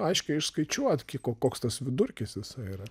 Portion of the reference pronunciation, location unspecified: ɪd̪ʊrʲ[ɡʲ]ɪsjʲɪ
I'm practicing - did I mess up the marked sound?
yes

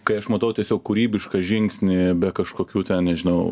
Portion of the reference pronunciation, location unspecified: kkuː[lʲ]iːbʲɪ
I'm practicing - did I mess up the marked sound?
yes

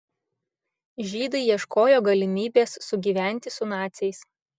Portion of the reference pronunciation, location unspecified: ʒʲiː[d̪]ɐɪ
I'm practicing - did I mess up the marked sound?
no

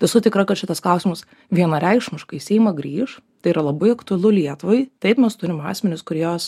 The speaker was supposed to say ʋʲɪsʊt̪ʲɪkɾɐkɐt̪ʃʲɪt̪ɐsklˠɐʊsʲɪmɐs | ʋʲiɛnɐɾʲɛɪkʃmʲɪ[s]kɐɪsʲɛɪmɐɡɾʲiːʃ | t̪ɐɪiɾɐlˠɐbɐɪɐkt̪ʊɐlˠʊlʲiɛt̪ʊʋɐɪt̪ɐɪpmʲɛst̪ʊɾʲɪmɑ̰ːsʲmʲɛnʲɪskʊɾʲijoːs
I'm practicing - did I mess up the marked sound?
yes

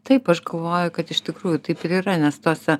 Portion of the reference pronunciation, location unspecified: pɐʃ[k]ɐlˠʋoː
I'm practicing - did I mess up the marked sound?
yes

